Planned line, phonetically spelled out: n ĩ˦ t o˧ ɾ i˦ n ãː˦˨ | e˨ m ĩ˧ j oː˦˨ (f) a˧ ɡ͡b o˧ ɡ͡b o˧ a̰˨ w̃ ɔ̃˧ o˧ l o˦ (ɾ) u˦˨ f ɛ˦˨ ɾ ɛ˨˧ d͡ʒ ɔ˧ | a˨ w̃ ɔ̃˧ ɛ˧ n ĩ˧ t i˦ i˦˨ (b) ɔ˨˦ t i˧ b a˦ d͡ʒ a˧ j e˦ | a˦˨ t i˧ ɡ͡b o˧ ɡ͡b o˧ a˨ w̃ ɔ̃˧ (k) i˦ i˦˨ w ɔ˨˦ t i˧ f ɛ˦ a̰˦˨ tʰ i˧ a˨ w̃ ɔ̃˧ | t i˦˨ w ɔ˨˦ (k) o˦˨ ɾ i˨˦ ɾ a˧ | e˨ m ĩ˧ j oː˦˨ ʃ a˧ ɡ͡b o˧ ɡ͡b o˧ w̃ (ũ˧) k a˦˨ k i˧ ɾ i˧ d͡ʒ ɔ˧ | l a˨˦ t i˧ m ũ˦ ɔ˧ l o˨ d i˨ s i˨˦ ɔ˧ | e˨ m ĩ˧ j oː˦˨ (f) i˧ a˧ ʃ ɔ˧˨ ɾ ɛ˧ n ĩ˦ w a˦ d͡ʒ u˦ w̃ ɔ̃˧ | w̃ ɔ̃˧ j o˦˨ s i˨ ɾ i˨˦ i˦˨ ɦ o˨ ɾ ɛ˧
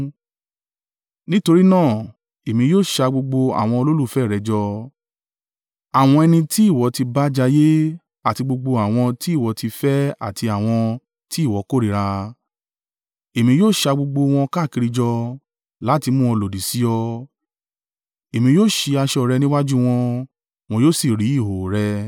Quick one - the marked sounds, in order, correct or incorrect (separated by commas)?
incorrect, incorrect, incorrect, incorrect, correct, incorrect, incorrect